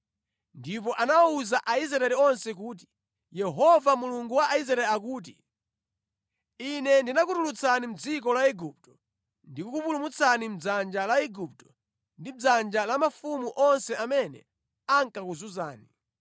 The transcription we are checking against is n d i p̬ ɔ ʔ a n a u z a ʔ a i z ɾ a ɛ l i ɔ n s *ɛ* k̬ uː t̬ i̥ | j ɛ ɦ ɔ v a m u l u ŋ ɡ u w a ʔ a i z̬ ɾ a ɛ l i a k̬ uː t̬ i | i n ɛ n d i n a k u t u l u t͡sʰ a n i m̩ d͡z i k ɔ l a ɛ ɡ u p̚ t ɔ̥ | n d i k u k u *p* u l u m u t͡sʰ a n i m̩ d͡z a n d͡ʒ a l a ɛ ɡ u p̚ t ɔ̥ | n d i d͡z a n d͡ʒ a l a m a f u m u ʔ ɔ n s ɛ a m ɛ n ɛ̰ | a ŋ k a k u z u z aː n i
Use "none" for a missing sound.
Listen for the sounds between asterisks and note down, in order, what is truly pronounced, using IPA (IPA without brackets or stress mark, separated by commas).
ɛ, p